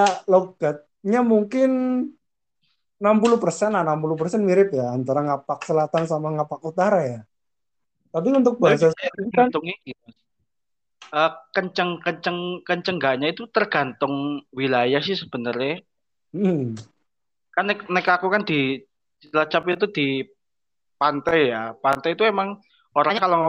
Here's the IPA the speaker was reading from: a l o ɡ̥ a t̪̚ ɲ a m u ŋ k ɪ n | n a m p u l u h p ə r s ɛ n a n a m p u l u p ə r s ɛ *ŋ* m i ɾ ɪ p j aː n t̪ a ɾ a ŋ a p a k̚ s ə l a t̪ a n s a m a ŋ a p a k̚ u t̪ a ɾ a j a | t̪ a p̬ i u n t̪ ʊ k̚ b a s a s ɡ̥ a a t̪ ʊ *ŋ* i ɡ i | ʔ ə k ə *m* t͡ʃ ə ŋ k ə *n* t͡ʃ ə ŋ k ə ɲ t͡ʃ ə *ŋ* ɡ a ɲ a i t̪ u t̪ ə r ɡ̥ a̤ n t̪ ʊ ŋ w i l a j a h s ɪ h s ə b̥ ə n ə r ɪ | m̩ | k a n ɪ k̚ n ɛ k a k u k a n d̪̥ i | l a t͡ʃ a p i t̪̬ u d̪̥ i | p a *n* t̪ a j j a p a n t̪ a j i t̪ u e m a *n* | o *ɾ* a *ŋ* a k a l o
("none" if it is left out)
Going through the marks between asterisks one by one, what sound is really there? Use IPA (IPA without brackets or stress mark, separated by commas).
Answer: n, ŋ, ɲ, ɲ, ŋ, n, ŋ, ɾ, ɲ